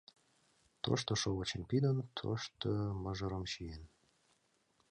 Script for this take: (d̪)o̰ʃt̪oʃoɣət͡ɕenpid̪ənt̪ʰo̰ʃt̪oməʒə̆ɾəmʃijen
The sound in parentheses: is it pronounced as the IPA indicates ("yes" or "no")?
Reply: no